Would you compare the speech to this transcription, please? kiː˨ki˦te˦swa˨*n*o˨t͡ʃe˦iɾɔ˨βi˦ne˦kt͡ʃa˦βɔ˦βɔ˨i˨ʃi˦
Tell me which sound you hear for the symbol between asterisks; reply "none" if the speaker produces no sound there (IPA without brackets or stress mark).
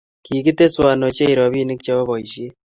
n